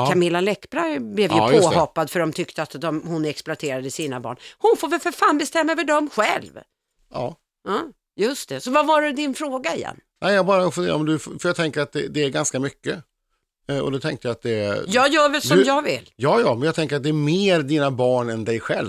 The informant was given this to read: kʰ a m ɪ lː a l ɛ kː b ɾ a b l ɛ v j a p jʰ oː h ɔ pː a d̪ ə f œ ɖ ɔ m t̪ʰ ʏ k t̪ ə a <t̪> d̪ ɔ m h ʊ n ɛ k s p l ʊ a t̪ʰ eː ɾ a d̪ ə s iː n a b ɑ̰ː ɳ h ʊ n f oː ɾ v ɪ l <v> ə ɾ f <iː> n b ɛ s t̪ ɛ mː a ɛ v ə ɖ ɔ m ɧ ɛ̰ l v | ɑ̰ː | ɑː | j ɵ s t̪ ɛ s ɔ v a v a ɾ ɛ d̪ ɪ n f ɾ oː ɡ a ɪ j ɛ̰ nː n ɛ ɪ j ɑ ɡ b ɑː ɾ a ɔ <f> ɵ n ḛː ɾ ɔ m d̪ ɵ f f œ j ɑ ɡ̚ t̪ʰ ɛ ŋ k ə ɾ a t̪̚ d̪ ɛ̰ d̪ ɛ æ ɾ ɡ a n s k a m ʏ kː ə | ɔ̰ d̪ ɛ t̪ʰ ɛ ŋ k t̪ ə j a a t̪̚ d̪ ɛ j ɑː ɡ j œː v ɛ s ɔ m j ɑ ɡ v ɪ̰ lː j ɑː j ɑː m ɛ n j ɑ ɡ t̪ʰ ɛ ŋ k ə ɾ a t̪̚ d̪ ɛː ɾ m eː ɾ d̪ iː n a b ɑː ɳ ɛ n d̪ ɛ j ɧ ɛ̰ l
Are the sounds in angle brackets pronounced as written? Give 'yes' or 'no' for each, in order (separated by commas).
yes, no, no, yes